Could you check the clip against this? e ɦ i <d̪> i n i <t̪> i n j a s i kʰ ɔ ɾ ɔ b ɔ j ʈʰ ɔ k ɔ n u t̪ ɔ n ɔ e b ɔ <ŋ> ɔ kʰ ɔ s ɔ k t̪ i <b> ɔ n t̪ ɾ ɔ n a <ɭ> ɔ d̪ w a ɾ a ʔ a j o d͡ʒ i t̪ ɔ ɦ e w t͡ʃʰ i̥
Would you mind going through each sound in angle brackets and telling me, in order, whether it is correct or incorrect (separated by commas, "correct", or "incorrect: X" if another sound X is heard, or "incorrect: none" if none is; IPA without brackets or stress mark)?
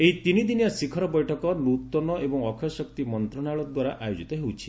incorrect: t̪, incorrect: d̪, correct, incorrect: m, correct